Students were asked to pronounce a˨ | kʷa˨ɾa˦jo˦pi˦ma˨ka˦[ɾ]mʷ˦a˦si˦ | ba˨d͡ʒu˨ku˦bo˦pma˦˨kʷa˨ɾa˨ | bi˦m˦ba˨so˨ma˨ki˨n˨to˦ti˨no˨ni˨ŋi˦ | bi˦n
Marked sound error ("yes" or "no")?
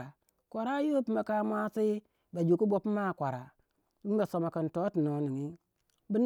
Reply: yes